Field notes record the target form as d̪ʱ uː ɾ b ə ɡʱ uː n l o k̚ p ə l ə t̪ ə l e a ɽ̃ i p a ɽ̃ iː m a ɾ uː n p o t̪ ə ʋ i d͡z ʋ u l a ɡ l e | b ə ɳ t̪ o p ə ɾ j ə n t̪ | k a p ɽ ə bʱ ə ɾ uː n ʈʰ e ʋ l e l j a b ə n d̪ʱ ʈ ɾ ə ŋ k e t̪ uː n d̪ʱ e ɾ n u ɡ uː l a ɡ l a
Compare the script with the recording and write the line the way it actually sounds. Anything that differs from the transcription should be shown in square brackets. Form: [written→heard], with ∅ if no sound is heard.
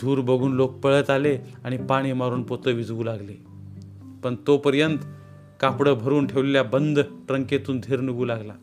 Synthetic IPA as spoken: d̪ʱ uː ɾ b ə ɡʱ uː n l o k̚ p ə [l→ɭ] ə t̪ [ə→a] l e a ɽ̃ i p a ɽ̃ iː m a ɾ uː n p o t̪ ə ʋ i d͡z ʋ [u→uː] l a ɡ l e | [b→p] ə ɳ t̪ o p ə ɾ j ə n t̪ | k a p ɽ ə bʱ ə ɾ uː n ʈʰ e ʋ l e l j a b ə n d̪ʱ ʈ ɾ ə ŋ k e t̪ uː n d̪ʱ e ɾ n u ɡ uː l a ɡ l a